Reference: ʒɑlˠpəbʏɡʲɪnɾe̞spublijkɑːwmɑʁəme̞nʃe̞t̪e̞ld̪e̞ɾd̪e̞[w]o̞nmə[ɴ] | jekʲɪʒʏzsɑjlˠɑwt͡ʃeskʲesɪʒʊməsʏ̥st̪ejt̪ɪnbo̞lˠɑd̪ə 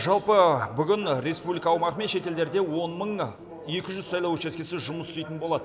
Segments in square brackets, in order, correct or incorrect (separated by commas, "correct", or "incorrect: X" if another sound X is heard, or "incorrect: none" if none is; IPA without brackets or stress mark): correct, correct